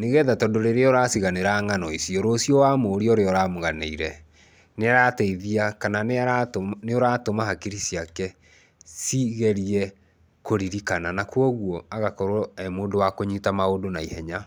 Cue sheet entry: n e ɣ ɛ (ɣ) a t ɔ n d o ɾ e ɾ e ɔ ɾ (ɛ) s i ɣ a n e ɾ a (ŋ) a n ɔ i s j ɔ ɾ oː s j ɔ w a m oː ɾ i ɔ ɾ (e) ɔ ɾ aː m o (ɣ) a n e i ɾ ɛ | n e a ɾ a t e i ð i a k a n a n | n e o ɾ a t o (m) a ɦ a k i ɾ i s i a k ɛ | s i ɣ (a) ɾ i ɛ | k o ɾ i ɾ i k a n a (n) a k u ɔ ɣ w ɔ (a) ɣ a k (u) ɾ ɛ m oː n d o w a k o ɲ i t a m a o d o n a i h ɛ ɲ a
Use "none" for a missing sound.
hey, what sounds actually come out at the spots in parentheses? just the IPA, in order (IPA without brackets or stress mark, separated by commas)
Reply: ð, a, ŋ, e, ɣ, m, ɛ, n, a, ɔ